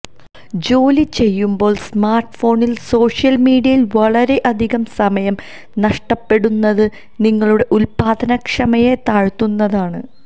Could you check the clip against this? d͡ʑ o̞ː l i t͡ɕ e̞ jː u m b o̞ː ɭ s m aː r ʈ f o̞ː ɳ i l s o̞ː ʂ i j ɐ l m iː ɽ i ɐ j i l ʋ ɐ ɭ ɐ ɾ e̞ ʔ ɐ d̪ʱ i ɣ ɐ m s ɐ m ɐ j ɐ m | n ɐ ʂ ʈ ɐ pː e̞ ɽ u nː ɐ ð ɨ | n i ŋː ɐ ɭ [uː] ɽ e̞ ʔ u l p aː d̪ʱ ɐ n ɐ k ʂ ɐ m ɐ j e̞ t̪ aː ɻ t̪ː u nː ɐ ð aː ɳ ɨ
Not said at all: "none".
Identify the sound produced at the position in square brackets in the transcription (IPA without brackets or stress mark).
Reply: u